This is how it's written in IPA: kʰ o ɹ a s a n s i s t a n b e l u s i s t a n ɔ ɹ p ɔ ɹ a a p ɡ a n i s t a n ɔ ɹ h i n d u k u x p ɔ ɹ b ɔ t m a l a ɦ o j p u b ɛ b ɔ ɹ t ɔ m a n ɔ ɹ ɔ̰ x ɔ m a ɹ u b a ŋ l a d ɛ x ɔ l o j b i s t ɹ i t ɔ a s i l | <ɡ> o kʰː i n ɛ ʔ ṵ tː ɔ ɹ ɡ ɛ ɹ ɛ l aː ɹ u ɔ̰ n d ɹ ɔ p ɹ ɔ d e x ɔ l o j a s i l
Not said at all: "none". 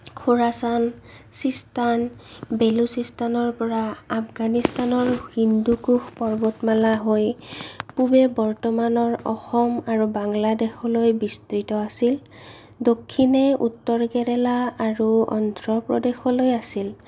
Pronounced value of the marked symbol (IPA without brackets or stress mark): d